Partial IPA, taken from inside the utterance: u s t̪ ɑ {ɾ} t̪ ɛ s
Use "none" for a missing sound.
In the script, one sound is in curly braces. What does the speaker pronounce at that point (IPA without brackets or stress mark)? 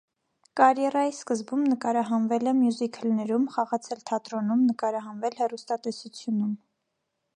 none